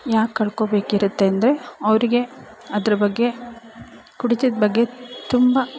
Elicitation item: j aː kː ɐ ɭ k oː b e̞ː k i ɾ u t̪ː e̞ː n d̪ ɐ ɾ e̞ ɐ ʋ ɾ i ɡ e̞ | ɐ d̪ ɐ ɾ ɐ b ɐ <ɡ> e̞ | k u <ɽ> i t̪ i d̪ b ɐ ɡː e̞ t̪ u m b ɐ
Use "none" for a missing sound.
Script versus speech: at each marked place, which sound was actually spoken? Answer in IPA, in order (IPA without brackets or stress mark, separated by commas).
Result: ɡː, ɽ